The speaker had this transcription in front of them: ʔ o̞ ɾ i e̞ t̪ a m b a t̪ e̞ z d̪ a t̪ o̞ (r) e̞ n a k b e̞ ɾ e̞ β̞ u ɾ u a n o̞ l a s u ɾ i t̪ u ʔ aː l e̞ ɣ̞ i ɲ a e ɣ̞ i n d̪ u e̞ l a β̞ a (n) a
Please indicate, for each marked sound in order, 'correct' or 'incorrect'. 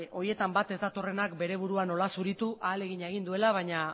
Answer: correct, incorrect

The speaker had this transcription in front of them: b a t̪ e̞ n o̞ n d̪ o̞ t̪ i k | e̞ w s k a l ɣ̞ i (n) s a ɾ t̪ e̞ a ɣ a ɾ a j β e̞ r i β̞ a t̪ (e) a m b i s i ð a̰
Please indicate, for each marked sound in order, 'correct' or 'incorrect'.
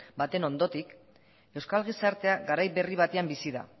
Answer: incorrect, correct

